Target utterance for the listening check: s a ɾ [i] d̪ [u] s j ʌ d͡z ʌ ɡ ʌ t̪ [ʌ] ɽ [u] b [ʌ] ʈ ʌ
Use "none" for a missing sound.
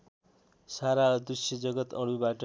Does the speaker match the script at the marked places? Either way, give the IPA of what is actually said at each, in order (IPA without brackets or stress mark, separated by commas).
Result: a, u, ʌ, u, a